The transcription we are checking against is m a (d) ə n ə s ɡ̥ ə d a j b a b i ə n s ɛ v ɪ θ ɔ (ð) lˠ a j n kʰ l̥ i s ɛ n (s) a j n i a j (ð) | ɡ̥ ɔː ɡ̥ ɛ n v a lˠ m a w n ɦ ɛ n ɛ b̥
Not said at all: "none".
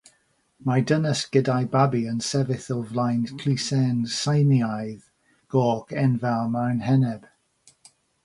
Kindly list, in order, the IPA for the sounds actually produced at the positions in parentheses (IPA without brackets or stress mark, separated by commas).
d, v, s, ð